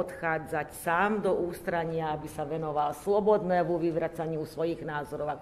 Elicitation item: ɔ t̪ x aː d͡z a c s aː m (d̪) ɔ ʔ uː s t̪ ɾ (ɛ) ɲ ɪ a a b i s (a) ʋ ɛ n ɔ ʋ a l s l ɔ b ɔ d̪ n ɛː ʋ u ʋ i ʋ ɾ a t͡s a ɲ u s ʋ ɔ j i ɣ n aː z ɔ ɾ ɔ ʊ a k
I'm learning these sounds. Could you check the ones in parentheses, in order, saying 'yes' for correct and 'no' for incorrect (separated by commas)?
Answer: yes, no, yes